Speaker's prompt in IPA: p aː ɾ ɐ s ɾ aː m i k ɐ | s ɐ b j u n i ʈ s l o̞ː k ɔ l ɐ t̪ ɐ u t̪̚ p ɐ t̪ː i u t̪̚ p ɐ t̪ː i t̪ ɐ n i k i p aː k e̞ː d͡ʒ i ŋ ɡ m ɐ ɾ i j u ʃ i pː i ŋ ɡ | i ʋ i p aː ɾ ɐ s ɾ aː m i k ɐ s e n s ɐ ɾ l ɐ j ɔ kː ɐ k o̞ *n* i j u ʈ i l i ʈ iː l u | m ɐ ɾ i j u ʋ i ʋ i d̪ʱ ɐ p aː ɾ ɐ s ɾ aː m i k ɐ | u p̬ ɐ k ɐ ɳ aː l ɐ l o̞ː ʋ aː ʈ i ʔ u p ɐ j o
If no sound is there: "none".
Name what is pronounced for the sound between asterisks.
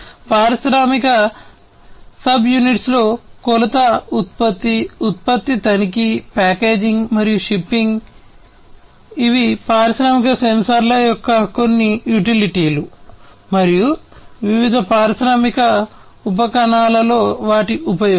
nː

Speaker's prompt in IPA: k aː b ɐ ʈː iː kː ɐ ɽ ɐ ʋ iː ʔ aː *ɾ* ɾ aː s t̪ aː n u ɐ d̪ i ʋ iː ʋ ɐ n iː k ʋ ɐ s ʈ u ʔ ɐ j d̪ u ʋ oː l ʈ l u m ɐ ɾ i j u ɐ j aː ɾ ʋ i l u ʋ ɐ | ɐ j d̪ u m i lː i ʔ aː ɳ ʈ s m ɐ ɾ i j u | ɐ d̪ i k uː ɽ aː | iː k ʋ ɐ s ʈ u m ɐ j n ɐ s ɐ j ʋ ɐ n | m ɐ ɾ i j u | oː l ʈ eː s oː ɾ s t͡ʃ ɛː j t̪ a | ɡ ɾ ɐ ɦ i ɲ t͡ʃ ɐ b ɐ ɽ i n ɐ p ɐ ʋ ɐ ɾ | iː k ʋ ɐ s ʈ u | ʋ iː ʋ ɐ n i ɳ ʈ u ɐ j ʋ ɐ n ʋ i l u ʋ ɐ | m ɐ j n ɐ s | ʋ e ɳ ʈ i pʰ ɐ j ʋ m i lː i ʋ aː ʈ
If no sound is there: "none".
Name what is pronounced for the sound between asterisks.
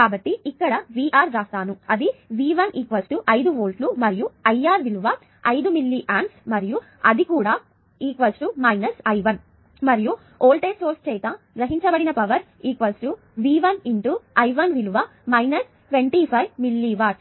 ɾ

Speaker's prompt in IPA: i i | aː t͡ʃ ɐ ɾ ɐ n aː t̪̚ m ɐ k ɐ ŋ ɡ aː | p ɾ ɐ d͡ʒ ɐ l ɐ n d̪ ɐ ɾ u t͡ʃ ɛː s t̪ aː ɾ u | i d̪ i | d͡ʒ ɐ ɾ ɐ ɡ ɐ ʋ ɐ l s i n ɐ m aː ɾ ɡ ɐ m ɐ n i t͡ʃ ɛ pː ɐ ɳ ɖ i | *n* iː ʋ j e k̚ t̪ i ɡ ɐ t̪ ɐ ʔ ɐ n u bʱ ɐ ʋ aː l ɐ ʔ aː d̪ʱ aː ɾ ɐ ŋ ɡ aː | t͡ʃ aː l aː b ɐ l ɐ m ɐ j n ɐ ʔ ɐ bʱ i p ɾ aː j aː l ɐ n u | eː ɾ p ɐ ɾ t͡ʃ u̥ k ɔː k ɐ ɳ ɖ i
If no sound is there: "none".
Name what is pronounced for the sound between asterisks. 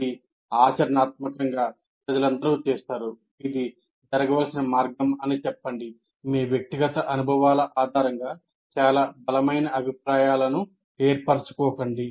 m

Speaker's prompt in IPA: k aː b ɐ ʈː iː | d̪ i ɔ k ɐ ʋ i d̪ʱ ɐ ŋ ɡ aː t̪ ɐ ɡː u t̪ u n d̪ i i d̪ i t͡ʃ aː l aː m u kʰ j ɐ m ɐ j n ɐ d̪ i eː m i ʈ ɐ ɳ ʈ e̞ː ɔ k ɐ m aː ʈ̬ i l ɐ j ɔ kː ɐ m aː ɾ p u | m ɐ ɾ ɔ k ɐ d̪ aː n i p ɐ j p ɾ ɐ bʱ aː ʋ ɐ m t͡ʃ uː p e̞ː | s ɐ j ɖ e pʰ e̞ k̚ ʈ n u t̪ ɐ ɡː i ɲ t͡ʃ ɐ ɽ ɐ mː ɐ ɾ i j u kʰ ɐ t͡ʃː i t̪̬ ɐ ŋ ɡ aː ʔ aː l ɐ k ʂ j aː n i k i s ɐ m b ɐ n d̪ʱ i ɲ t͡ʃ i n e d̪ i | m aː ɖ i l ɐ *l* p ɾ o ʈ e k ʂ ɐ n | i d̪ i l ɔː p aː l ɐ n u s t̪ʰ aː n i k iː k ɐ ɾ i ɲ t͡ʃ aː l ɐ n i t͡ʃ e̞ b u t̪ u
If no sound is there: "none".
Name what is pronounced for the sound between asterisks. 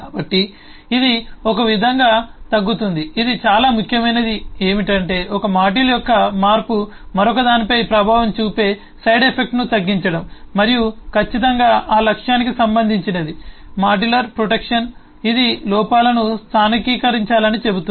ɾ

